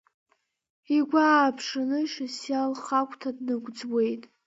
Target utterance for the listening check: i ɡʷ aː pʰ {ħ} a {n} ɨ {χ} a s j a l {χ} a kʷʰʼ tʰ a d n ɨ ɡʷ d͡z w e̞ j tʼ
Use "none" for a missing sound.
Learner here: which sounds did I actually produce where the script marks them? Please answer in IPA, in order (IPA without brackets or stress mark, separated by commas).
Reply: ʂ, n, ʃ, χ